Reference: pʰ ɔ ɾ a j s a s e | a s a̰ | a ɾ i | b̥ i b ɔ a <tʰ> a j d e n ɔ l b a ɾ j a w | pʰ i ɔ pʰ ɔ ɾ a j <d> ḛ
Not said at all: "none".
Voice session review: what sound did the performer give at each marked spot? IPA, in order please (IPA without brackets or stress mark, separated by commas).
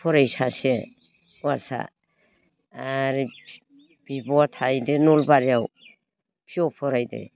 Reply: tʰ, d